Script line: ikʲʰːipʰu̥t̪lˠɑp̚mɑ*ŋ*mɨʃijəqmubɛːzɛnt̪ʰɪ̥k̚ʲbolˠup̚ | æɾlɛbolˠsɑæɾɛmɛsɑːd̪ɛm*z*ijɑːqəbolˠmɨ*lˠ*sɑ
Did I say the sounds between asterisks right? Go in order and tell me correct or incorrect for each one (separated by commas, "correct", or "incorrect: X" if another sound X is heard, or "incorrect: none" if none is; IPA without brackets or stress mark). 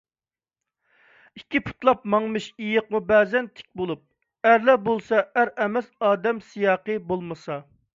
correct, incorrect: s, incorrect: none